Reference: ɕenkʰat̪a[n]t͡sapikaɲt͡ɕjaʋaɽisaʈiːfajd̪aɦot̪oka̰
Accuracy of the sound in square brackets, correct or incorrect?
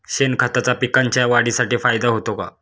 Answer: incorrect